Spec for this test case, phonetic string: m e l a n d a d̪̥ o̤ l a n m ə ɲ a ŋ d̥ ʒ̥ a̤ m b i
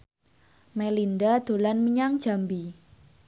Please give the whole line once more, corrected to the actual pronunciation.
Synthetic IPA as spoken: m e l i n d a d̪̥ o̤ l a n m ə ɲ a ŋ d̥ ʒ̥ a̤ m b i